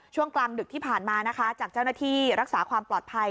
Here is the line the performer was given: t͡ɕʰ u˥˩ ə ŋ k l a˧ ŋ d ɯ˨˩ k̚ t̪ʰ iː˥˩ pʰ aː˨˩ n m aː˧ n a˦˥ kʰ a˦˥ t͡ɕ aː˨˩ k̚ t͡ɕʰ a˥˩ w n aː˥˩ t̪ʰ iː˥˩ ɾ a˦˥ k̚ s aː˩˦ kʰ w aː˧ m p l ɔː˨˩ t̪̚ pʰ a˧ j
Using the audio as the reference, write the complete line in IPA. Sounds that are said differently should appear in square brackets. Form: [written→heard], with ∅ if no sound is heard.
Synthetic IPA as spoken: t͡ɕʰ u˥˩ ə ŋ k l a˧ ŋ d ɯ˨˩ k̚ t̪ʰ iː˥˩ pʰ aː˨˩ n m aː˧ n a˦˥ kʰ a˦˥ t͡ɕ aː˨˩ k̚ [t͡ɕʰ→t͡ɕ] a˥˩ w n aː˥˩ t̪ʰ iː˥˩ ɾ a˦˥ k̚ s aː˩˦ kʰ w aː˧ m p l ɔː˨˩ t̪̚ pʰ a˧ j